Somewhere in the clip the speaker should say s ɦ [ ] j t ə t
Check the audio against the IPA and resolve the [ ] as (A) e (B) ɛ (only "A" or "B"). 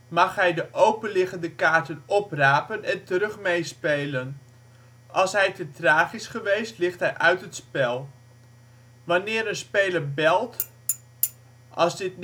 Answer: B